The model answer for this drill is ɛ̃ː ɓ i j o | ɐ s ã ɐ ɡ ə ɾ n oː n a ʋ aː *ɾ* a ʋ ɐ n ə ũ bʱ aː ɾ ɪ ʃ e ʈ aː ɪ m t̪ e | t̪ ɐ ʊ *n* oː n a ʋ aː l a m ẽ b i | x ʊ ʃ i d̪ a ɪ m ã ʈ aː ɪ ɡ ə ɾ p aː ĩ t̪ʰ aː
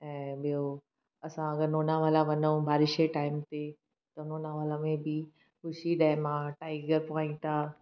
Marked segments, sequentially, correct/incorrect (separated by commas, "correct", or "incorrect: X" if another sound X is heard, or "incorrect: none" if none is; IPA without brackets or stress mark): incorrect: l, correct